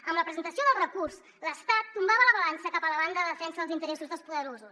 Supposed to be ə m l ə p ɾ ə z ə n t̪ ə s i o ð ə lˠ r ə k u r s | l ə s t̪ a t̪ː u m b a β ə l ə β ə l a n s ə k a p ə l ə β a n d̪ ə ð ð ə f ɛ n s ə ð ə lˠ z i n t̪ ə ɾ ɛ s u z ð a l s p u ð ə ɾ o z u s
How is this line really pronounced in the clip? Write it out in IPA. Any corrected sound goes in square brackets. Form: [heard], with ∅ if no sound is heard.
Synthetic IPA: ə m l ə p ɾ ə z ə n t̪ ə s i o ð ə lˠ r ə k u r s | l ə s t̪ a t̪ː u m b a β ə l ə β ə l a n s ə k a p ə l ə β a n d̪ ə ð ð ə f ɛ n s ə ð ə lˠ z i n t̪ ə ɾ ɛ s u z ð [ə] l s p u ð ə ɾ o z u s